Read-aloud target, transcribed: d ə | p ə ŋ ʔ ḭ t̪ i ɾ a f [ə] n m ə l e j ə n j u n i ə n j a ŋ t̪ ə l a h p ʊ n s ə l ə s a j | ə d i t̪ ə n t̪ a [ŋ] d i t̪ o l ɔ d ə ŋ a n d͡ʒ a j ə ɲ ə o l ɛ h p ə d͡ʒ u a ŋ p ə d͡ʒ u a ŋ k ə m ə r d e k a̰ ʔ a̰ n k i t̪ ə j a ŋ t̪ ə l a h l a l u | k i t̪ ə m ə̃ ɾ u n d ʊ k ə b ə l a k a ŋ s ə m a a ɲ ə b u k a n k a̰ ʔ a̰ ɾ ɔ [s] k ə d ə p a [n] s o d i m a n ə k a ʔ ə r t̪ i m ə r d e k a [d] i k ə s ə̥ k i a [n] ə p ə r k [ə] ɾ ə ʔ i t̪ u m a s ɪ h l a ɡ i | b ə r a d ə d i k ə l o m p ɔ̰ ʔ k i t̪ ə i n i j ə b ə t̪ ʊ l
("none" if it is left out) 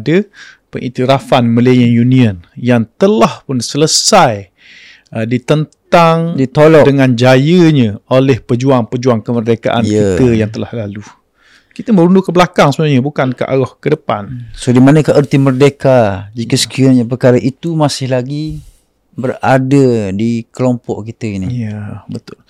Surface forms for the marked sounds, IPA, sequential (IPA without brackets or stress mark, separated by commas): a, ŋ, h, n, d͡ʒ, ɲ, a